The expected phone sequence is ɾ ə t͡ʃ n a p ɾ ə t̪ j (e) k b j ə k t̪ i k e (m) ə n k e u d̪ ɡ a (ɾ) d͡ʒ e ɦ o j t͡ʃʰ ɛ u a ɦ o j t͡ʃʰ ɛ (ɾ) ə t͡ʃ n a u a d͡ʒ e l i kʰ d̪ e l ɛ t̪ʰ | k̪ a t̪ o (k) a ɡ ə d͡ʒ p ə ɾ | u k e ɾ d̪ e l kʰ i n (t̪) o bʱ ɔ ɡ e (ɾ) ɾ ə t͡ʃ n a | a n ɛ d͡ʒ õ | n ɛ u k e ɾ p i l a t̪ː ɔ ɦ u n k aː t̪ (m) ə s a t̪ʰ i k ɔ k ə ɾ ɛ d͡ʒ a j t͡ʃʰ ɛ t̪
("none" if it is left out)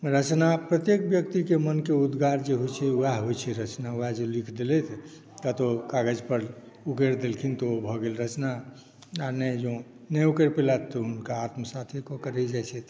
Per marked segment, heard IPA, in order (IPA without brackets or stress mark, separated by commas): e, m, ɾ, ɾ, k, t̪, l, m